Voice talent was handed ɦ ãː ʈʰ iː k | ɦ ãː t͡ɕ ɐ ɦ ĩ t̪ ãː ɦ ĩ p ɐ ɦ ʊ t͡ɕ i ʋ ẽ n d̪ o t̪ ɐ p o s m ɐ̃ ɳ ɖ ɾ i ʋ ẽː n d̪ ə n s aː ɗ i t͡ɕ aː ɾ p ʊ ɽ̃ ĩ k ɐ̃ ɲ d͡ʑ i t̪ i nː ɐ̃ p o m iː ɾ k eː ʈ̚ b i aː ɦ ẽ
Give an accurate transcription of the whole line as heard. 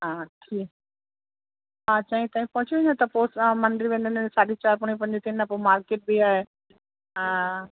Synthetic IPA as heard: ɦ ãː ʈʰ iː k | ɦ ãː t͡ɕ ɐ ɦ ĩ t̪ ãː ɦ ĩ p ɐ ɦ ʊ t͡ɕ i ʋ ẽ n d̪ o t̪ ɐ p o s m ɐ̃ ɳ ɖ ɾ i ʋ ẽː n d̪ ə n s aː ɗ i t͡ɕ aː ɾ p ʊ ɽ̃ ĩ p ɐ̃ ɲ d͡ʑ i t̪ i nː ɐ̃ p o m aː ɾ k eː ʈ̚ b i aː ɦ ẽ